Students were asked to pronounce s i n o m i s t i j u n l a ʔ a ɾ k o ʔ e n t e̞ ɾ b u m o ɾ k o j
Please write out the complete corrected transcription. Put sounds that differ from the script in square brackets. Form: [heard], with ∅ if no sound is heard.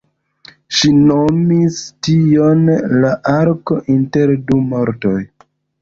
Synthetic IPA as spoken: [ʃ] i n o m i s t i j [o] n l a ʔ a ɾ k o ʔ [i] n t e̞ ɾ [d] u m o ɾ [t] o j